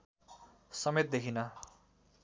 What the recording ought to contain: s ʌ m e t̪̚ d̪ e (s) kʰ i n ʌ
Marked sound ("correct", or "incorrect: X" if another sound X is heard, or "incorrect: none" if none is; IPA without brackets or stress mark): incorrect: none